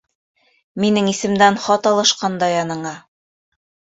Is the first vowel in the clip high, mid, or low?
high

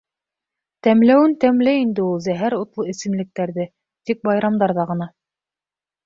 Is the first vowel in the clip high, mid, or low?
low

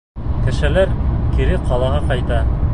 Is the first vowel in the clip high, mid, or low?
mid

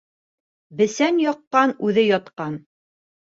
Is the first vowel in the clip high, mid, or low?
mid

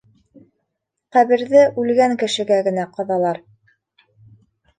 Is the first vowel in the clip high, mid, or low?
low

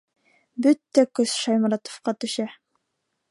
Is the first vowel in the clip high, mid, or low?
mid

